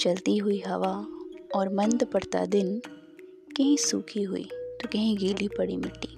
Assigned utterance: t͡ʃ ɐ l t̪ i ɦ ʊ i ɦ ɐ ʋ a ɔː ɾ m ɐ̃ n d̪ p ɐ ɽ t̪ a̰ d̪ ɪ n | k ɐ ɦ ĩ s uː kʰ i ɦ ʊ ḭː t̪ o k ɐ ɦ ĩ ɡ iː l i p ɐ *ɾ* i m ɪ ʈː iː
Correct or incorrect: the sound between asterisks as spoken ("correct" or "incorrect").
incorrect